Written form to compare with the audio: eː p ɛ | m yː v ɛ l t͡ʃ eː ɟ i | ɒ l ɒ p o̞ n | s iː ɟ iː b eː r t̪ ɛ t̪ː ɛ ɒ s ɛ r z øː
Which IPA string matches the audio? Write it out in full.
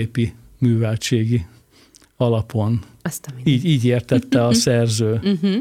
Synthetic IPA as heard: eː p i | m yː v ɛ l t͡ʃ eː ɡ i | ɒ l ɒ p o̞ n | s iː ɟ iː ɟ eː r t̪ ɛ t̪ː ɛ ɒ s ɛ r z øː